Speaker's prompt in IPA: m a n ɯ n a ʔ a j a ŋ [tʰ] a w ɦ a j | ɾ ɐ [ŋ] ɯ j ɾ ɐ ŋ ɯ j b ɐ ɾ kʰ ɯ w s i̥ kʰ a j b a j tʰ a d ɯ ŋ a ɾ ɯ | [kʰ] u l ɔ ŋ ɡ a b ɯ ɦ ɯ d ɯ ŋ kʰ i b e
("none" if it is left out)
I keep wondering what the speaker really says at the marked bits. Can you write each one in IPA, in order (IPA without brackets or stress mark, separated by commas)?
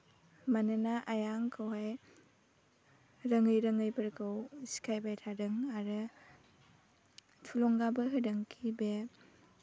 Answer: kʰ, ŋ, tʰ